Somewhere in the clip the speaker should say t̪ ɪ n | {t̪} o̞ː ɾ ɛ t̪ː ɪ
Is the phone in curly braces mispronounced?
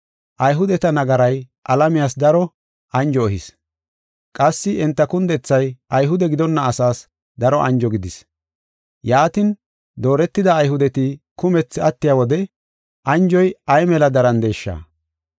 yes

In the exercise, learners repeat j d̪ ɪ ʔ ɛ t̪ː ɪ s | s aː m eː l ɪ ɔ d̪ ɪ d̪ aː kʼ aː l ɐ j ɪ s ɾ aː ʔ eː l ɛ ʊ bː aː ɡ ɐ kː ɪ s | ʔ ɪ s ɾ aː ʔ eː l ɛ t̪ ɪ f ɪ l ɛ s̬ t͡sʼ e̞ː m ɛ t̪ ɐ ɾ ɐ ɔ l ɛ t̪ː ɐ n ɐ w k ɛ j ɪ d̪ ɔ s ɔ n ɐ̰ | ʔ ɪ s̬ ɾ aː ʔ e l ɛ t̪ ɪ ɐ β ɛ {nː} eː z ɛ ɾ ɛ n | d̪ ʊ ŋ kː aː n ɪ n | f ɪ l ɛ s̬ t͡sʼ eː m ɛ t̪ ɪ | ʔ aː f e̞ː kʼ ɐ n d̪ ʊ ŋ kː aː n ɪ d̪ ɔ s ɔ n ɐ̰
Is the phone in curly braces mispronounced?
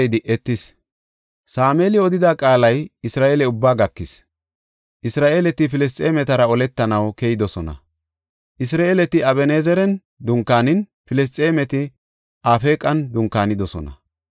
yes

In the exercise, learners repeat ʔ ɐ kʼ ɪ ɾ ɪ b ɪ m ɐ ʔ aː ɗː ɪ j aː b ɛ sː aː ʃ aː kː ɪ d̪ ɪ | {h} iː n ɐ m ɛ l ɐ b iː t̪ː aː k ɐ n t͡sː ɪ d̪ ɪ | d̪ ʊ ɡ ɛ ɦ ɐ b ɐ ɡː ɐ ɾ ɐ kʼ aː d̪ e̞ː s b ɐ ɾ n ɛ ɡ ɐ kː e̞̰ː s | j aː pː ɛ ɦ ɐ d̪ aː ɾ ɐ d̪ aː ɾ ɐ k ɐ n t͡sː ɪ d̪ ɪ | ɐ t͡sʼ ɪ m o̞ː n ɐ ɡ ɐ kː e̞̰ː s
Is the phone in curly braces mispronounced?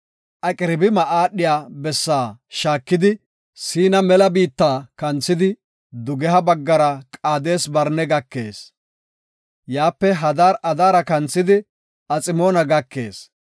yes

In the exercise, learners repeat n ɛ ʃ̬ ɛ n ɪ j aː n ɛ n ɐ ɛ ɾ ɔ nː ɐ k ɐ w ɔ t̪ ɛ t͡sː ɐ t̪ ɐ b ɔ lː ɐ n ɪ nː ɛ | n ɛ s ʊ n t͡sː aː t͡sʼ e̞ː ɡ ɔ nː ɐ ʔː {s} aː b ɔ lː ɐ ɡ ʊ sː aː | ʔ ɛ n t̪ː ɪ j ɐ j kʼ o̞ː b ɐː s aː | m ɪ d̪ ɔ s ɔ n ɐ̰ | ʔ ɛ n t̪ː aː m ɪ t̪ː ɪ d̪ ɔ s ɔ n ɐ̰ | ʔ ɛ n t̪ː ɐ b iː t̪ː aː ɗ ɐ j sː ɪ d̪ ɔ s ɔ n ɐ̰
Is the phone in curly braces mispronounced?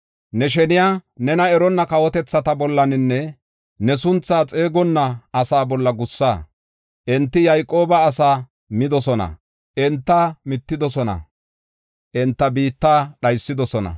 no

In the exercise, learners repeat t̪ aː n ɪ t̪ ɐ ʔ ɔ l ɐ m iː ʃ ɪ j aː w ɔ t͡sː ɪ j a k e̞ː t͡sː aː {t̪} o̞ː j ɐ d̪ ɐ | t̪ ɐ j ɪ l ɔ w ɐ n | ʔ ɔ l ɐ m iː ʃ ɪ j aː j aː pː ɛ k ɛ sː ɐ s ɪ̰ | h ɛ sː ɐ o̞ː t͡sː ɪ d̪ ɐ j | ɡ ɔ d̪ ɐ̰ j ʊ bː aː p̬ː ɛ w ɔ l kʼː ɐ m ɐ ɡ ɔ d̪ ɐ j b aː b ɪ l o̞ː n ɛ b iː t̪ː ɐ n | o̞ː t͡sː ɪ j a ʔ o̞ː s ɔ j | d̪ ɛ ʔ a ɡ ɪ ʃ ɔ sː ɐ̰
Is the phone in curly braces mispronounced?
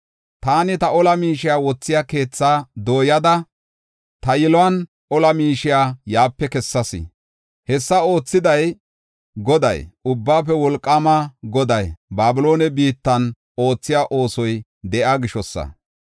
yes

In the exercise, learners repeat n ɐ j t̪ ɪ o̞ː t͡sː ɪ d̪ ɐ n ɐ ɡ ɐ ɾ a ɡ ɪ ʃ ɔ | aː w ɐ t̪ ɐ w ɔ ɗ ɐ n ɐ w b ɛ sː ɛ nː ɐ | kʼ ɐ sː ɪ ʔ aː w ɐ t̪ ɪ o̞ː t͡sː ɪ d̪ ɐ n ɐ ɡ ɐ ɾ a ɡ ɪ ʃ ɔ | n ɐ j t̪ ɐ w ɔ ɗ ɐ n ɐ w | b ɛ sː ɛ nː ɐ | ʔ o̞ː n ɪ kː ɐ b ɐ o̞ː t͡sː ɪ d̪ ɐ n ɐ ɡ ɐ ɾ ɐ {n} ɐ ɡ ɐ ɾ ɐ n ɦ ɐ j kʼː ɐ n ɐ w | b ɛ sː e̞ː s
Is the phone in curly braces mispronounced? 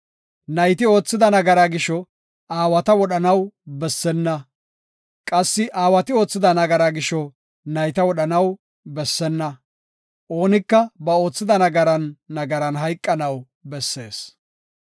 yes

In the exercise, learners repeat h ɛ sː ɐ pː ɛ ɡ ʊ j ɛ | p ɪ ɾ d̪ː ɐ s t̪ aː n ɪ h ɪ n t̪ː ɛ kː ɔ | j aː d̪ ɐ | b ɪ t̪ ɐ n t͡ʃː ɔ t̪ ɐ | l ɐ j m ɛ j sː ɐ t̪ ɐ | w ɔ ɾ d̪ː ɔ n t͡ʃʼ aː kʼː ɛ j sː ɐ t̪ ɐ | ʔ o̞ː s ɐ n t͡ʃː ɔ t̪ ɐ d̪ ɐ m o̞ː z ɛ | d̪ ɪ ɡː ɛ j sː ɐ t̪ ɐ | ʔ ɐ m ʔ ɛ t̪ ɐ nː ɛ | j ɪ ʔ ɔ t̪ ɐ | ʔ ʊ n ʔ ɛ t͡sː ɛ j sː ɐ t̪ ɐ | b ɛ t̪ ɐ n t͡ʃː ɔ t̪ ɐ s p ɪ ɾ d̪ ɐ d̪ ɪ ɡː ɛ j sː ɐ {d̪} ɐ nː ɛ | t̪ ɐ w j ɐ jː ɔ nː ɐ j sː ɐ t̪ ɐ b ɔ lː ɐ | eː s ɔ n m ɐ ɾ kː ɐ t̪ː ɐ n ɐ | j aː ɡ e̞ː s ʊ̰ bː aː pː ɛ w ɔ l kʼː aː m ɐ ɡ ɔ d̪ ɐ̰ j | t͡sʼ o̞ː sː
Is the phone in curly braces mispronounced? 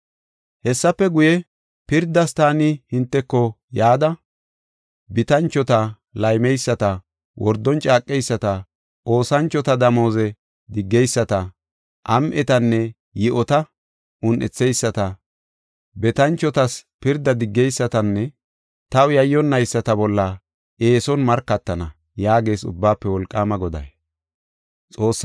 yes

